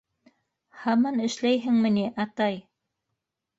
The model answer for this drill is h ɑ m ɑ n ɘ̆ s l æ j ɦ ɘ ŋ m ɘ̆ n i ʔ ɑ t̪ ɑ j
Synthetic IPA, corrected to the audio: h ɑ m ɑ n ɘ̆ ʃ l æ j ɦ ɘ ŋ m ɘ̆ n i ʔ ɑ t̪ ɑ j